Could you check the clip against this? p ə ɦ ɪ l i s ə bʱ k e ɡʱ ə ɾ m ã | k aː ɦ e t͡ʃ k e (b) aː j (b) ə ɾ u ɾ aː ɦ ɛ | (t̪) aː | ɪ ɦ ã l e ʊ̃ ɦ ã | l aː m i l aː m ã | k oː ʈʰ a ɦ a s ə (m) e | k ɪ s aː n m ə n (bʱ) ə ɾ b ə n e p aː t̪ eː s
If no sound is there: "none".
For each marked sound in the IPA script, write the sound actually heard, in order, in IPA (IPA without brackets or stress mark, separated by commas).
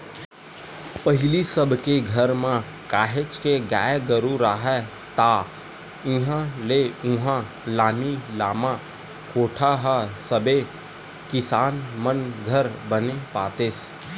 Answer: ɡ, ɡ, t̪, b, ɡʱ